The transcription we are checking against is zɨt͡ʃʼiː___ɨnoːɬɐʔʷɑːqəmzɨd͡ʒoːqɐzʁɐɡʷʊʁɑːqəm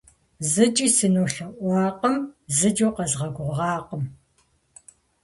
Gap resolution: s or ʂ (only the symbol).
s